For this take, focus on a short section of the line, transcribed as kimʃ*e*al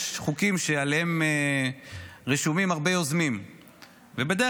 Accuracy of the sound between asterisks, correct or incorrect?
correct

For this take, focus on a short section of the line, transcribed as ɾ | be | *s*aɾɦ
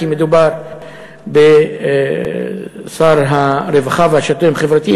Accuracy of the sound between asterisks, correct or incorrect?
correct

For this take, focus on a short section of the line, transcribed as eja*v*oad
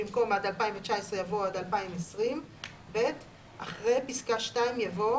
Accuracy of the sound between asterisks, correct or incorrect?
correct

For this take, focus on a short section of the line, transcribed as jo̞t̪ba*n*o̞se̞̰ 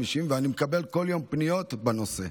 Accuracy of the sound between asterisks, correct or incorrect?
correct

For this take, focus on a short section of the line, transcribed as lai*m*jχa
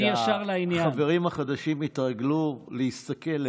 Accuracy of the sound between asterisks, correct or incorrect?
incorrect: n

